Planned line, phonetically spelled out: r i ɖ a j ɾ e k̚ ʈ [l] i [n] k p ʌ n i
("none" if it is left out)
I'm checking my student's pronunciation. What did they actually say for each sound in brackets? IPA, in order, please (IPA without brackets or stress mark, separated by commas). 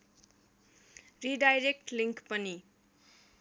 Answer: l, ŋ